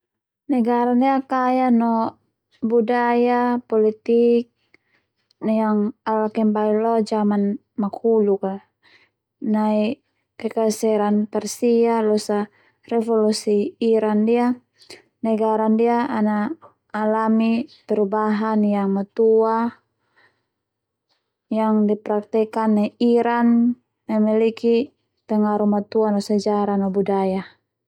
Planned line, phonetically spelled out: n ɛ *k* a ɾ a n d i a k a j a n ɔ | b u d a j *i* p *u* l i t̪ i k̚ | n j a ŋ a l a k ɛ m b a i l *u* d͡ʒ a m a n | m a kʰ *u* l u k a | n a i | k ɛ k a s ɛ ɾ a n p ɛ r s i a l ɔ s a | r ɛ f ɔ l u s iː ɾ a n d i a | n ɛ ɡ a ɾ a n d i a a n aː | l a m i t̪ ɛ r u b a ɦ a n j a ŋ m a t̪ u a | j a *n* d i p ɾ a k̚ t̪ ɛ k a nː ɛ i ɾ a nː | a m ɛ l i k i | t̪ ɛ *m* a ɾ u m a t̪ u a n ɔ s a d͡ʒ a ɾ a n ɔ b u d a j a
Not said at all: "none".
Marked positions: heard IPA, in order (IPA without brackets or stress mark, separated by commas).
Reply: ɡ, a, ɔ, ɔ, u, ŋ, ŋ